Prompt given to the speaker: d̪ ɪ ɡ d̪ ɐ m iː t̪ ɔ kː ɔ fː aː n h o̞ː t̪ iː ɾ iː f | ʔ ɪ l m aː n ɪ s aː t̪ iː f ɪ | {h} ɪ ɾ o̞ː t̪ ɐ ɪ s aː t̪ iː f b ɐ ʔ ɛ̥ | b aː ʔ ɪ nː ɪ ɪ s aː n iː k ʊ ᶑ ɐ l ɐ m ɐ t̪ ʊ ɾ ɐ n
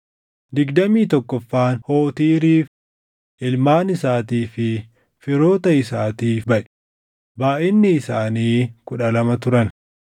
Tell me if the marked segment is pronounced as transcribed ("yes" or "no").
no